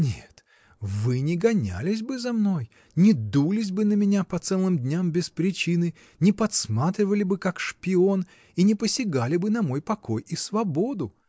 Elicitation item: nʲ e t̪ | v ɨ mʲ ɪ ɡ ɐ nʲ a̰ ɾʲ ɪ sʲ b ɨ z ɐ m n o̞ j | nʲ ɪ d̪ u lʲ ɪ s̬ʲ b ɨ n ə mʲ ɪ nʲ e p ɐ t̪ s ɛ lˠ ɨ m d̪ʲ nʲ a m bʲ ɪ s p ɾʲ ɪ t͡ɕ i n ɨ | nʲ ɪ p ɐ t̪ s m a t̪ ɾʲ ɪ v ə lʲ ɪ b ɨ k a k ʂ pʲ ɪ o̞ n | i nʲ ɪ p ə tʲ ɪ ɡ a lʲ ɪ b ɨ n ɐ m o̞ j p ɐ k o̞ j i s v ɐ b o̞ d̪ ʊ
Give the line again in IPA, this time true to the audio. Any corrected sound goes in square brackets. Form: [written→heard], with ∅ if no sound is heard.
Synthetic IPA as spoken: nʲ e t̪ | v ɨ [mʲ→nʲ] ɪ ɡ ɐ nʲ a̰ [ɾʲ→lʲ] ɪ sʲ b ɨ z ɐ m n o̞ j | nʲ ɪ d̪ u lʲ ɪ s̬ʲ b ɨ n ə mʲ ɪ nʲ [e→a] p ɐ t̪ s ɛ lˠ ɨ m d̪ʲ nʲ a m bʲ ɪ s p ɾʲ ɪ t͡ɕ i n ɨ | nʲ ɪ p ɐ t̪ s m a t̪ ɾʲ ɪ v ə lʲ ɪ b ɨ k a k ʂ pʲ ɪ o̞ n | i nʲ ɪ p ə [tʲ→sʲ] ɪ ɡ a lʲ ɪ b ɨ n ɐ m o̞ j p ɐ k o̞ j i s v ɐ b o̞ d̪ ʊ